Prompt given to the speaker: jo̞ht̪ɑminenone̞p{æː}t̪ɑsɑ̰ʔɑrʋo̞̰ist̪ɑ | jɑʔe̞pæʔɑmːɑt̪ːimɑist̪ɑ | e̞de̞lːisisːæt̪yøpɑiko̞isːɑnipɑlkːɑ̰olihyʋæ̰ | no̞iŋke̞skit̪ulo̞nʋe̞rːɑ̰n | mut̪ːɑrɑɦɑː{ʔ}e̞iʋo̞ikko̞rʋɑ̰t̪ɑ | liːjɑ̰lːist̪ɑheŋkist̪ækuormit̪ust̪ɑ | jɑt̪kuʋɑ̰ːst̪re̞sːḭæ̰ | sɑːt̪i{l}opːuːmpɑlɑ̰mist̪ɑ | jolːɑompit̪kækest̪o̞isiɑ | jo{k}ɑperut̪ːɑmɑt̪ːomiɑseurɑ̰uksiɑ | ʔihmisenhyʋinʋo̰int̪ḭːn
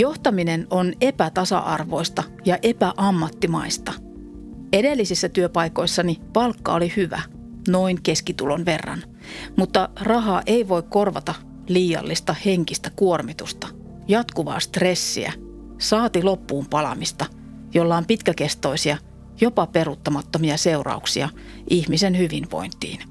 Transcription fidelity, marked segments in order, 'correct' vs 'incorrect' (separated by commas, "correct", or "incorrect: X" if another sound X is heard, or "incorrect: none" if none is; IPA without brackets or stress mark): incorrect: æ, correct, correct, incorrect: p